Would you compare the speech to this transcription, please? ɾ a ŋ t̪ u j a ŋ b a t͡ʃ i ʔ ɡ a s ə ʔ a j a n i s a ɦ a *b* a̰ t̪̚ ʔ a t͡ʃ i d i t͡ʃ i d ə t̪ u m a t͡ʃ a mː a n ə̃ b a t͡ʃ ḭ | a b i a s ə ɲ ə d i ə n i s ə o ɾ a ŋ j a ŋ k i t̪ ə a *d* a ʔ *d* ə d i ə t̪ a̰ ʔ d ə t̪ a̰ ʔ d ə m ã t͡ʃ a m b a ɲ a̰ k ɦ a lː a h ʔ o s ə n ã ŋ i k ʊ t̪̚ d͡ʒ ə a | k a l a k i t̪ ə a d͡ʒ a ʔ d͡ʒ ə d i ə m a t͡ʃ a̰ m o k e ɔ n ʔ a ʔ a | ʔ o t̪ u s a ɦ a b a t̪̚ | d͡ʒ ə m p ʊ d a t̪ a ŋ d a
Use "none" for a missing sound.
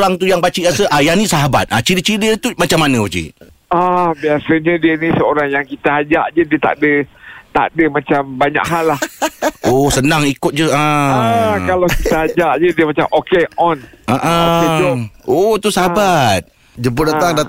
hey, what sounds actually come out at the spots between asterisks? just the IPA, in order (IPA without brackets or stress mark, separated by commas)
b, d͡ʒ, d͡ʒ